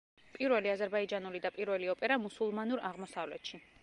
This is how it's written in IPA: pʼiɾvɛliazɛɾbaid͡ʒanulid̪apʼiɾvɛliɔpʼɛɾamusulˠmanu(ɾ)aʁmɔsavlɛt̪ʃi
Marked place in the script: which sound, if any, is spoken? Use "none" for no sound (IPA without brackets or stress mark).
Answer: ɾ